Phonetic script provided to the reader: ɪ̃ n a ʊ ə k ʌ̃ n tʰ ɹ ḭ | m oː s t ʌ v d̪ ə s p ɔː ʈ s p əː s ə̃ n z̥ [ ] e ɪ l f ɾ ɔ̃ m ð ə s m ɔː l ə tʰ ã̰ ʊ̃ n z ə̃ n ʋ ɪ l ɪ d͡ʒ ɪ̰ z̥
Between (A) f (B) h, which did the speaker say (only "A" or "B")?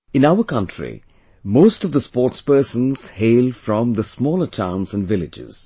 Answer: B